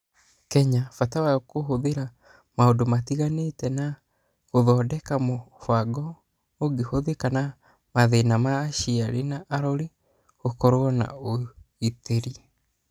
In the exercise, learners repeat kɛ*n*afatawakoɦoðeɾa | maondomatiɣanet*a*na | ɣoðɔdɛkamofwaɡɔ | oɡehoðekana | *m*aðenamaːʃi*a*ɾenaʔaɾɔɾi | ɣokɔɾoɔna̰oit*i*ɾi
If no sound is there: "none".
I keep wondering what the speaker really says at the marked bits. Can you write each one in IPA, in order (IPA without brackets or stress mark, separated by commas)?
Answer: ɲ, ɛ, m, a, e